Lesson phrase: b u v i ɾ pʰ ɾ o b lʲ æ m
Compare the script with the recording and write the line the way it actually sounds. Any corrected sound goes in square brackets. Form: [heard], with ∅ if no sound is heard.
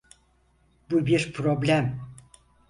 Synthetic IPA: b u [b] i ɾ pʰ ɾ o b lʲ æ m